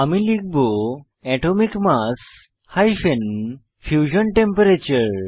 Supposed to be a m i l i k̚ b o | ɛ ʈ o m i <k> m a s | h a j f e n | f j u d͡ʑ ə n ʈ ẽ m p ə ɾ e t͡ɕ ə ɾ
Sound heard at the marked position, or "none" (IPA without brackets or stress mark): k